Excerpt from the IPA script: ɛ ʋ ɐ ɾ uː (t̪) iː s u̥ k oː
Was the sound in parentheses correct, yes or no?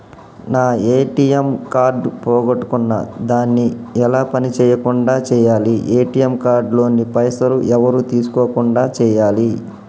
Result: yes